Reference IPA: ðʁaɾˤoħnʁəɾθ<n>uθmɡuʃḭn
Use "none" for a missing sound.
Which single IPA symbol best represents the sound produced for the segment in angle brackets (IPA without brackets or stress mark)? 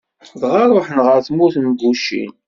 m